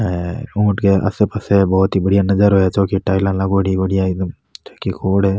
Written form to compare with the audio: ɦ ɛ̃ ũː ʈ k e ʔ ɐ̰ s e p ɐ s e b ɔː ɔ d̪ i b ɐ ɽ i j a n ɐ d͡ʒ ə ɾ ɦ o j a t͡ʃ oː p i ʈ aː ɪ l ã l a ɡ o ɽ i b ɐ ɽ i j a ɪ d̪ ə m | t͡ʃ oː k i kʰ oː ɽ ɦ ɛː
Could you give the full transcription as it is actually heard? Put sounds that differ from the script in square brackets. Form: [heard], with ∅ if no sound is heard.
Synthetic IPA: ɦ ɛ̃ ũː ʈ k e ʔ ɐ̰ s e p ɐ s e b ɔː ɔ [t̪] i b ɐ ɽ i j a n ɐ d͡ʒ ə ɾ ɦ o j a t͡ʃ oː [k] i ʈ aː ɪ l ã l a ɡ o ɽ i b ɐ ɽ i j a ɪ d̪ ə m | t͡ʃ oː k i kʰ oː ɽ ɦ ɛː